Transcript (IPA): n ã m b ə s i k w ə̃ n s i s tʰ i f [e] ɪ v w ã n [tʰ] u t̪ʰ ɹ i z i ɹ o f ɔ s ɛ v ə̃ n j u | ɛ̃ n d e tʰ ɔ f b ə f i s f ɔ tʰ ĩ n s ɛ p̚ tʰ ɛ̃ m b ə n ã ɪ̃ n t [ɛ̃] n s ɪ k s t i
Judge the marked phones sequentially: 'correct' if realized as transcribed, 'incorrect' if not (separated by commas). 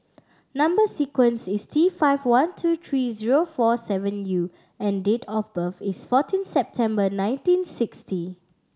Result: incorrect, correct, incorrect